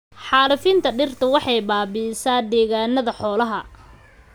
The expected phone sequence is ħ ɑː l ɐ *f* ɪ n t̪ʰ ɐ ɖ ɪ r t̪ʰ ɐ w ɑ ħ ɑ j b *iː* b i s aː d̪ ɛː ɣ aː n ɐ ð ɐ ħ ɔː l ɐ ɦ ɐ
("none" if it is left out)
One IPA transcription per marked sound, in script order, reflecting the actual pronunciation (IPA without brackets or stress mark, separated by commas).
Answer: f, aː